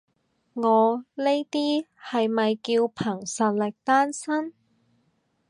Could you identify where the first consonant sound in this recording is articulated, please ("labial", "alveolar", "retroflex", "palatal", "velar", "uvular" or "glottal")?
velar